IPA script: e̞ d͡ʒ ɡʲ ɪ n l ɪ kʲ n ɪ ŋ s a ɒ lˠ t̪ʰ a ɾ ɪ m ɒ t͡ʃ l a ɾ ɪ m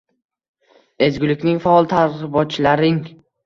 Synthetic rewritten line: e̞ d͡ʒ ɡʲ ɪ l ɪ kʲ n ɪ ŋ f a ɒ lˠ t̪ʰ a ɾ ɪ b ɒ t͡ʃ l a ɾ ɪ ŋ